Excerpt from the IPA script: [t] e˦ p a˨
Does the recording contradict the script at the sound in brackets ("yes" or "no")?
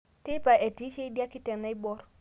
no